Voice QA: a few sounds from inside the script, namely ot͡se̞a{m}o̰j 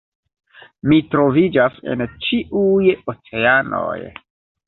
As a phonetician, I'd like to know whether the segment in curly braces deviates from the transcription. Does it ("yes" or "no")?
yes